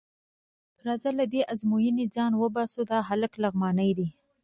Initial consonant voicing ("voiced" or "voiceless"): voiced